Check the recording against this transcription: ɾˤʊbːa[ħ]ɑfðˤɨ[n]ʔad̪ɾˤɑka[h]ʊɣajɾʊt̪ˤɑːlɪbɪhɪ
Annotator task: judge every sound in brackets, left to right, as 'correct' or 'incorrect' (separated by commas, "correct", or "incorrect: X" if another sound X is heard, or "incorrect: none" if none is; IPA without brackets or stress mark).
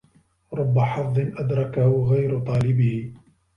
correct, correct, correct